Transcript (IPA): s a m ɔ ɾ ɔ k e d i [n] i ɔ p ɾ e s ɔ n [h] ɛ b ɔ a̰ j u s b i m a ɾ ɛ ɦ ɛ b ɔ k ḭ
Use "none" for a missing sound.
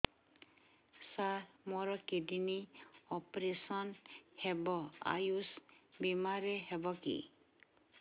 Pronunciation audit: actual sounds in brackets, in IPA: n, h

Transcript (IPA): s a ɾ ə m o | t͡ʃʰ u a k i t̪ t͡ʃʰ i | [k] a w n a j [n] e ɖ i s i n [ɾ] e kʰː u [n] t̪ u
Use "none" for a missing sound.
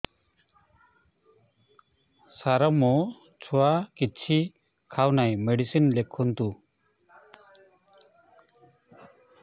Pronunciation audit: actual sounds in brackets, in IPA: kʰ, m, l, n

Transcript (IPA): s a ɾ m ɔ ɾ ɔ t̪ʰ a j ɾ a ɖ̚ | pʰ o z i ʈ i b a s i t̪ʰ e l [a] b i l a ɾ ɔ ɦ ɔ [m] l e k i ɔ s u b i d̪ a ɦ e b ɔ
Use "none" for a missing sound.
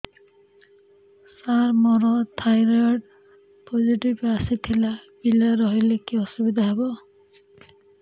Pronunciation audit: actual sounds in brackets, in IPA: a, none

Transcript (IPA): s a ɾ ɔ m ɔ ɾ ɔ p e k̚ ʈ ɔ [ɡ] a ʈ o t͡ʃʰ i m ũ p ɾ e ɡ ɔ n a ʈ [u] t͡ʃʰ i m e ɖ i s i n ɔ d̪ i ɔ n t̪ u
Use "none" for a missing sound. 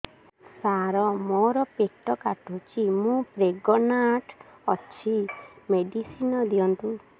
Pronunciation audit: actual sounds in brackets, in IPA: k, ɔ

